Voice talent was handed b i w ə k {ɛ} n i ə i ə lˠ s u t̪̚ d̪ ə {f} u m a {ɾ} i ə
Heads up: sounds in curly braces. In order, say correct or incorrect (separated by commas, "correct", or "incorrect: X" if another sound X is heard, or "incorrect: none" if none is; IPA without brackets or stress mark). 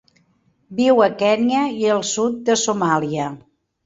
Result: correct, incorrect: s, incorrect: l